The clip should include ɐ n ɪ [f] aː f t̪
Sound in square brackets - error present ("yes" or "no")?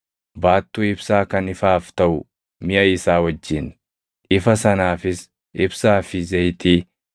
no